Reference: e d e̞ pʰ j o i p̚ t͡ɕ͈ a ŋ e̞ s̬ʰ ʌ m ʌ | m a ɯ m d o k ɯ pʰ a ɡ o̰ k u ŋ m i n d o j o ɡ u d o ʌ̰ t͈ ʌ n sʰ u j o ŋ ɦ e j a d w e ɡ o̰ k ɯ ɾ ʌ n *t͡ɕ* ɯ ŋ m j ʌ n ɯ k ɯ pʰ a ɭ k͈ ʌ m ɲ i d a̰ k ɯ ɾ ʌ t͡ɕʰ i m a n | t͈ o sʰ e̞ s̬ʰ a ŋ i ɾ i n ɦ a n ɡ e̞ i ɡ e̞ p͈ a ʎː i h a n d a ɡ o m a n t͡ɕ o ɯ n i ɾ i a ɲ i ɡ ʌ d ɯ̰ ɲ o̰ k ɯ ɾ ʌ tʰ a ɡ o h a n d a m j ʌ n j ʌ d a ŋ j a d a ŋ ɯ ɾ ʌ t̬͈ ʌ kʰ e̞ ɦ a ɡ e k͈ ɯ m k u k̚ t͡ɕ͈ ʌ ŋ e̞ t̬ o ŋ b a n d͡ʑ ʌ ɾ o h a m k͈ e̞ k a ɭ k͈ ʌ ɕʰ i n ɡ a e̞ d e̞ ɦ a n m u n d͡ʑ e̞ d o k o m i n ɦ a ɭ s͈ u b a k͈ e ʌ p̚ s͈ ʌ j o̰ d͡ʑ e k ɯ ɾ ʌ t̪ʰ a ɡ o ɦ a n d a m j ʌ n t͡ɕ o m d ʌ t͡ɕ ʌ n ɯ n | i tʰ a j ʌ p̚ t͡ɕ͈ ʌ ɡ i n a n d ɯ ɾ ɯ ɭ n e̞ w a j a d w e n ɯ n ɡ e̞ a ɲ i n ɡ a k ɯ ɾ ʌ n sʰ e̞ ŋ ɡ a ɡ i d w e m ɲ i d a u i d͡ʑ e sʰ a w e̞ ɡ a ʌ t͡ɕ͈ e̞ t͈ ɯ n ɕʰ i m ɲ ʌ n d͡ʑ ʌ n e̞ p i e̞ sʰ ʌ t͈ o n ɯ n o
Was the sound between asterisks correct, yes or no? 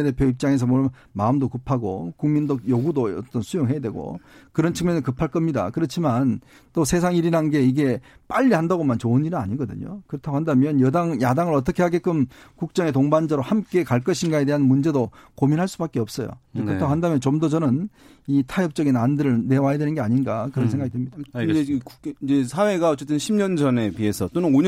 no